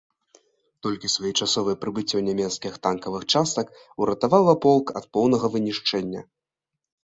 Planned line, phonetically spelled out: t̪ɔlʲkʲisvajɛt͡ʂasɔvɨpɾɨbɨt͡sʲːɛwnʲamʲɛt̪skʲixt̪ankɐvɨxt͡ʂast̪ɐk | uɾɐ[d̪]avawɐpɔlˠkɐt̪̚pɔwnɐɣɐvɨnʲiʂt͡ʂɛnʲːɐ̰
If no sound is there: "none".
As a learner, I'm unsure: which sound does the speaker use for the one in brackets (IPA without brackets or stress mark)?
t̪